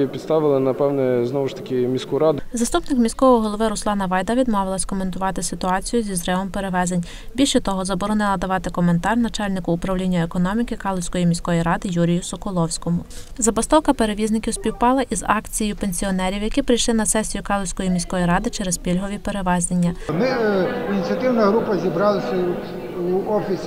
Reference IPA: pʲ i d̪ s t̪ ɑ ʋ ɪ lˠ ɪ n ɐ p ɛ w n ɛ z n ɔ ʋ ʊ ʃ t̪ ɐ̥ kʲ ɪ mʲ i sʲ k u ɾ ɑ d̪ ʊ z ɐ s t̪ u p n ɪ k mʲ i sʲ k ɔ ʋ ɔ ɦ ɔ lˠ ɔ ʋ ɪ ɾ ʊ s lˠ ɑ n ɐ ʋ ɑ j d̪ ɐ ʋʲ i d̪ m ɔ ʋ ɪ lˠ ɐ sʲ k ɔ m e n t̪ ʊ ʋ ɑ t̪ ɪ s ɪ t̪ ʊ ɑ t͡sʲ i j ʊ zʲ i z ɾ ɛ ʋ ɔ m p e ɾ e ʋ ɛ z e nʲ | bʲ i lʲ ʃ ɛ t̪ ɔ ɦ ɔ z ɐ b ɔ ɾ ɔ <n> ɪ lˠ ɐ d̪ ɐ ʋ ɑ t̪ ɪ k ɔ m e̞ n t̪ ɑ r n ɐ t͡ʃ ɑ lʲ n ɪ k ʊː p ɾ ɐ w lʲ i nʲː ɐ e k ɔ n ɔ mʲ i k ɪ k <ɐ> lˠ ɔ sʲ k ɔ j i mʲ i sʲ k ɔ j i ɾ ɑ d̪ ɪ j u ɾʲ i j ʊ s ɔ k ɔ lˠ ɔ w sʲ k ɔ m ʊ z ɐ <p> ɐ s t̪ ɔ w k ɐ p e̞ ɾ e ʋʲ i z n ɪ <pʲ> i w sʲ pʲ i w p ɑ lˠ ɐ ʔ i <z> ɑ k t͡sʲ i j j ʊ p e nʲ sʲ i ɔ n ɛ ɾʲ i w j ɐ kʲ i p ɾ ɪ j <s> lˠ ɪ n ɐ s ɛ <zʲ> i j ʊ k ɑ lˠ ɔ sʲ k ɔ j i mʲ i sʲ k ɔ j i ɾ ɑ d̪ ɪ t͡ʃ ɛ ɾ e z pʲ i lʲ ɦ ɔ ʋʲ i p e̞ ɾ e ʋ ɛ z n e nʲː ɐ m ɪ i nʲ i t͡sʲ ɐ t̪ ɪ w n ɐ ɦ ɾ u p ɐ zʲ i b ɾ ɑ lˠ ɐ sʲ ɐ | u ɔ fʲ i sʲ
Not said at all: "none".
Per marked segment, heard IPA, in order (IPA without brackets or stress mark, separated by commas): n, ɑ, b, kʲ, z, ʃ, sʲ